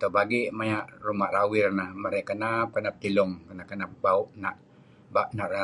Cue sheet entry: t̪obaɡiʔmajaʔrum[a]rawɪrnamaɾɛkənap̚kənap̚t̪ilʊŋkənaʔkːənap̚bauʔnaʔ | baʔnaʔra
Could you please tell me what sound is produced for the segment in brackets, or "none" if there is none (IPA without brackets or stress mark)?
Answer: a